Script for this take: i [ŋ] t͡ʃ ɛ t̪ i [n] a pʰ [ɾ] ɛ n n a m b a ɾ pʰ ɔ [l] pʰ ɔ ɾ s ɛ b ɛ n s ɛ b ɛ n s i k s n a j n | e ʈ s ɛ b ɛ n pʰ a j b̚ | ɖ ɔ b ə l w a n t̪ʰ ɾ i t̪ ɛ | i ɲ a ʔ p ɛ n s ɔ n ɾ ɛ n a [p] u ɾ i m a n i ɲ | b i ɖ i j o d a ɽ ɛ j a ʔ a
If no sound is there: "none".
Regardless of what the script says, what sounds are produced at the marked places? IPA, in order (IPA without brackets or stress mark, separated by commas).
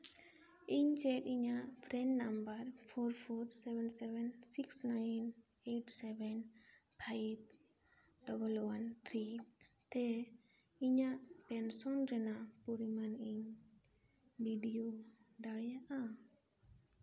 ɲ, ɲ, ɾ, ɾ, p